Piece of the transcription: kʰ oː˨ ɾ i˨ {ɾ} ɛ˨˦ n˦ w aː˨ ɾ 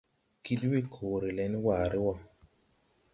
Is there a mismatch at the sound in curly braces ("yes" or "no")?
yes